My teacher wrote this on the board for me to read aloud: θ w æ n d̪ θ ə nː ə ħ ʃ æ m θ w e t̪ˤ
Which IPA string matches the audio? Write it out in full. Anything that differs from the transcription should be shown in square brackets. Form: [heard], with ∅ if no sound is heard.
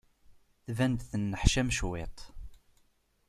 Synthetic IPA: θ [v] æ n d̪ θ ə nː ə ħ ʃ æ m [ʃ] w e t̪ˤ

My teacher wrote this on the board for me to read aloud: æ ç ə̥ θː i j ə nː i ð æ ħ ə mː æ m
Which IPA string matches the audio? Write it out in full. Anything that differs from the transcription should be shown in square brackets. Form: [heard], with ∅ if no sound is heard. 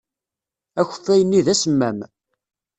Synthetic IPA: æ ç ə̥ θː [æ] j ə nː i ð æ [s] ə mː æ m

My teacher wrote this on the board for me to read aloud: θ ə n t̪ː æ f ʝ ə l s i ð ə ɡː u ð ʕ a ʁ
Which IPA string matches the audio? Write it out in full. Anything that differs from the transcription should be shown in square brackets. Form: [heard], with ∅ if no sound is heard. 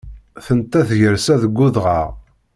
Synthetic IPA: θ ə n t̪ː æ [θ] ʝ ə [ɾ] s [æ] ð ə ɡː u ð [ʁ] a ʁ

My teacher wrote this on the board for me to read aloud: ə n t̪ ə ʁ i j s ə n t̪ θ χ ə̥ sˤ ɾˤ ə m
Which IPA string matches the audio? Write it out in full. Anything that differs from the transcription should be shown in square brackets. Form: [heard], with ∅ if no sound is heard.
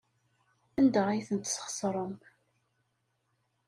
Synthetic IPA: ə n [d̪] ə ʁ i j [θ] ə n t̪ [s] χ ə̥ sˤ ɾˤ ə m

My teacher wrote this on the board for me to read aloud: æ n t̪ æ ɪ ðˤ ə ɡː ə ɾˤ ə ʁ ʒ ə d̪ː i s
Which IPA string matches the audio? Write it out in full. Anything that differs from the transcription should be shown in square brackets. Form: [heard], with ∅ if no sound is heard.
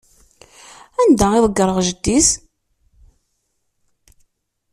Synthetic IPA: æ n [d̪] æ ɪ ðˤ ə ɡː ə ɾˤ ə ʁ ʒ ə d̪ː i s

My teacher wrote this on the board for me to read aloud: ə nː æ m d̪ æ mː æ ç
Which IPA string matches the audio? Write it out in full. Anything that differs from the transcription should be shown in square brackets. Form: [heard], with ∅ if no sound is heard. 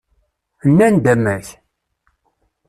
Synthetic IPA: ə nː æ [n] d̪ æ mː æ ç

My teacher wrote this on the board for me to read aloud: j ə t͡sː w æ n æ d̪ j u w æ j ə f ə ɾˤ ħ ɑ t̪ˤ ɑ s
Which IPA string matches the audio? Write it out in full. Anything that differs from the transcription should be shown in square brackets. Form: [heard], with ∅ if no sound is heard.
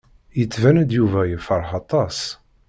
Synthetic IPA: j ə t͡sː [v] æ n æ d̪ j u [v] æ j ə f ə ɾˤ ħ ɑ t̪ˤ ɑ s

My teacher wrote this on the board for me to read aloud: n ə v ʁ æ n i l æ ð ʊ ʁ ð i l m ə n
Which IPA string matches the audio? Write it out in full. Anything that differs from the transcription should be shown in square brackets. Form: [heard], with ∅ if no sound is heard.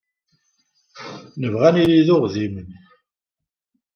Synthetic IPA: n ə v ʁ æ n i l [i] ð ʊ ʁ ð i [∅] m ə n

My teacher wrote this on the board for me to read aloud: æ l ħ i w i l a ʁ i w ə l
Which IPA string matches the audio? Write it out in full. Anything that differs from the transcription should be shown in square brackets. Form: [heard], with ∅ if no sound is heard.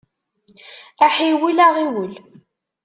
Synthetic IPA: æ [∅] ħ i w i l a ʁ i w ə l

